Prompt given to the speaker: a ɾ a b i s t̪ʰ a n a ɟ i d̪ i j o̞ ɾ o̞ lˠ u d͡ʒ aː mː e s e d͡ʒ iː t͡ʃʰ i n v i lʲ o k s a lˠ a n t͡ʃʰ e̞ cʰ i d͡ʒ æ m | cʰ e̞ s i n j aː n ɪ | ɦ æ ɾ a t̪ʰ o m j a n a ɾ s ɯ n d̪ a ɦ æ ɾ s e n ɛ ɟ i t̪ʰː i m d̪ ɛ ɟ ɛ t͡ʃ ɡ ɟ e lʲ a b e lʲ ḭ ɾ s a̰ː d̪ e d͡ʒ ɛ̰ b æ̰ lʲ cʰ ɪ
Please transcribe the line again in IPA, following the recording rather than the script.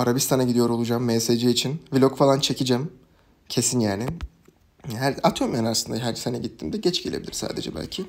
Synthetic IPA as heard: a ɾ a b i s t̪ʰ a n a ɟ i d̪ i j o̞ ɾ o̞ lˠ u d͡ʒ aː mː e s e d͡ʒ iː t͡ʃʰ i n v i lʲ o k f a lˠ a n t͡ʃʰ e̞ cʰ i d͡ʒ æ m | cʰ e̞ s i n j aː n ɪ | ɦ æ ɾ a t̪ʰ o m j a n a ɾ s ɯ n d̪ a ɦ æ ɾ s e n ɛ ɟ i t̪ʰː i m d̪ ɛ ɟ ɛ t͡ʃ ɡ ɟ e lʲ e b i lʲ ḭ ɾ s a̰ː d̪ e d͡ʒ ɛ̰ b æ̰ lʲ cʰ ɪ